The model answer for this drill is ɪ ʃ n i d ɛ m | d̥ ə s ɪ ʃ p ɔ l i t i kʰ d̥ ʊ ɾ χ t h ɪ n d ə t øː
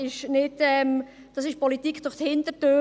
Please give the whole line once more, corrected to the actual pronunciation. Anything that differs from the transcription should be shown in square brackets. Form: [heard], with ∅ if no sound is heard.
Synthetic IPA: ɪ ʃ n [ɪ] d ɛ m | d̥ [ɑ] s ɪ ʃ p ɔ l i t i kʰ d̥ ʊ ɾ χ t h ɪ n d ə t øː